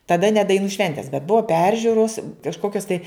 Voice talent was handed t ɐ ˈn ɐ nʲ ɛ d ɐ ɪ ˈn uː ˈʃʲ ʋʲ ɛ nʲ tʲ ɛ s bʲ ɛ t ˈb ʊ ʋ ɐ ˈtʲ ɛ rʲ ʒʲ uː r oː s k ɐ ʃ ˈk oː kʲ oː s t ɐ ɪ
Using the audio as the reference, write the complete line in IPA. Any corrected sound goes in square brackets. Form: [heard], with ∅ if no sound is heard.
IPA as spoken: t ɐ [ˈd] ɐ nʲ ɛ d ɐ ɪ ˈn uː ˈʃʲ ʋʲ ɛ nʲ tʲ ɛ s bʲ ɛ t ˈb ʊ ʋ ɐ [ˈpʲ] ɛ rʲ ʒʲ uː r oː s k ɐ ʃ ˈk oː kʲ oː s t ɐ ɪ